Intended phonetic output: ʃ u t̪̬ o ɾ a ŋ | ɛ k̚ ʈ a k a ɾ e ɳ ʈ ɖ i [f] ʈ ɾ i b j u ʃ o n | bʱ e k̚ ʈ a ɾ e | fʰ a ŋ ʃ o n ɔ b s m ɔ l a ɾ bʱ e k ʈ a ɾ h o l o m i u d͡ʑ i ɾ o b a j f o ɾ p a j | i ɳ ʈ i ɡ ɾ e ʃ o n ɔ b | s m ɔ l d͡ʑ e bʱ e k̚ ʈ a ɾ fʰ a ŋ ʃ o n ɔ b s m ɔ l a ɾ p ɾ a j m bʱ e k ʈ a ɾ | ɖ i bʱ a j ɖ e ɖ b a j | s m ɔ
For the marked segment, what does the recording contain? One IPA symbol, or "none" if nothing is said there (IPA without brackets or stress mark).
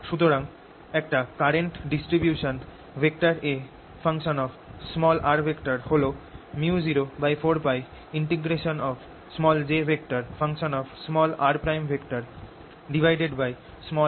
s